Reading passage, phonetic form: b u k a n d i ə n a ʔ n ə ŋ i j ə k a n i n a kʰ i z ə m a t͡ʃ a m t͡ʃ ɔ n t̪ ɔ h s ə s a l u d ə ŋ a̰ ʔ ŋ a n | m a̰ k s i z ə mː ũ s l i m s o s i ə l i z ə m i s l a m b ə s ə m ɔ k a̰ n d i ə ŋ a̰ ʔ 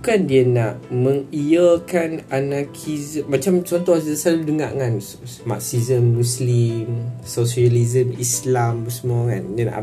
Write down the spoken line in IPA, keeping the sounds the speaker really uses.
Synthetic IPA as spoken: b u k a n d i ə n a ʔ m ə ŋ i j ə k a n a n a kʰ i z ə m a t͡ʃ a m t͡ʃ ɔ n t̪ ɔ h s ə s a l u d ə ŋ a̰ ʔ ŋ a n | m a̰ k s i z ə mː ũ s l i m s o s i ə l i z ə m i s l a m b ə s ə m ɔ k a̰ n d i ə n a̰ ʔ